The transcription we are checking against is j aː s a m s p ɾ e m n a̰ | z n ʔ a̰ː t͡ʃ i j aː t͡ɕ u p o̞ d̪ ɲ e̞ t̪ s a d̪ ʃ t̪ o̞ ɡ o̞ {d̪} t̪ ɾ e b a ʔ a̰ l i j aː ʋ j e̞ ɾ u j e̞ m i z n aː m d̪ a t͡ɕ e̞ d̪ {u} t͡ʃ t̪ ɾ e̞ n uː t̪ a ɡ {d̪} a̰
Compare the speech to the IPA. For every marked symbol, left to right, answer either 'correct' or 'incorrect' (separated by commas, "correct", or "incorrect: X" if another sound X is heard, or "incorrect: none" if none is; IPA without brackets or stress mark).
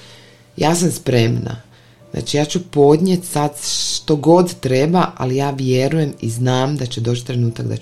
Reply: correct, incorrect: o, correct